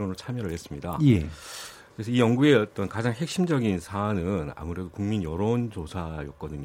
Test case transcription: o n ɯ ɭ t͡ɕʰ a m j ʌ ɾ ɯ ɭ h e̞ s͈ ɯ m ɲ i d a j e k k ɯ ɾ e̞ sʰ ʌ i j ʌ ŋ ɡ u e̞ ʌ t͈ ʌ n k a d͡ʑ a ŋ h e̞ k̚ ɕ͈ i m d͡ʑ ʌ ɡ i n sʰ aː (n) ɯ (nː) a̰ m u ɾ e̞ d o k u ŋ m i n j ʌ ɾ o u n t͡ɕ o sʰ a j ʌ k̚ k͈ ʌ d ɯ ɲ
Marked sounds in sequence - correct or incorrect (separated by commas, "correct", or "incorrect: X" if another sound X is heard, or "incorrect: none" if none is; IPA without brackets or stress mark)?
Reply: correct, incorrect: n